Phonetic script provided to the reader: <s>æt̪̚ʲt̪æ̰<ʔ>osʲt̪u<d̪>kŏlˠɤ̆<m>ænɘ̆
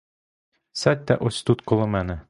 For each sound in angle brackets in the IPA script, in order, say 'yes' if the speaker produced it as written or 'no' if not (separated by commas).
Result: yes, yes, no, yes